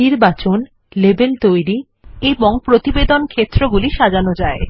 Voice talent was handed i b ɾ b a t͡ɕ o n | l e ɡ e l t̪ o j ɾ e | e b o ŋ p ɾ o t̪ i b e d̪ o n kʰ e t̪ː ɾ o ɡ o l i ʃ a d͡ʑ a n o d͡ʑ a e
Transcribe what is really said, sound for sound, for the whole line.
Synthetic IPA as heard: i ɾ b a t͡ɕ o n | l e b e l t̪ o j ɾ i | e b o ŋ p ɾ o t̪ i b e d̪ o n kʰ e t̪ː ɾ o ɡ u l i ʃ a d͡ʑ a n o d͡ʑ a e